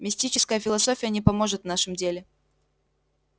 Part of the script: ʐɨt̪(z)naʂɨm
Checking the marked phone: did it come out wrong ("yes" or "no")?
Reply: yes